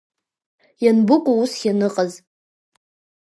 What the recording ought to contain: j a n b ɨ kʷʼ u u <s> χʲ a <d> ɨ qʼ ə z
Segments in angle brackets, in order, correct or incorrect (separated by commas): correct, incorrect